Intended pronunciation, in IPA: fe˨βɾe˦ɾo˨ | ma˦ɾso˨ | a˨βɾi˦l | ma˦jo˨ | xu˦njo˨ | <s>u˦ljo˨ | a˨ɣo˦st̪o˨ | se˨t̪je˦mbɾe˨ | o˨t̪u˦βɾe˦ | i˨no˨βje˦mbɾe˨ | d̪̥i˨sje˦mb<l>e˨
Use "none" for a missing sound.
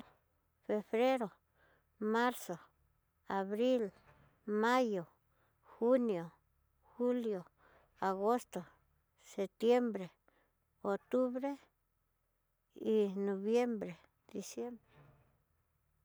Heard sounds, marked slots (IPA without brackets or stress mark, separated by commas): x, ɾ